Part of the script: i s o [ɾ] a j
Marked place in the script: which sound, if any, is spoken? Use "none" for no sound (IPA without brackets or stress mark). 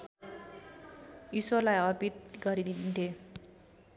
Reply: l